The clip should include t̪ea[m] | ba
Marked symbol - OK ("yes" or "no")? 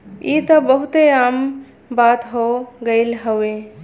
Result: yes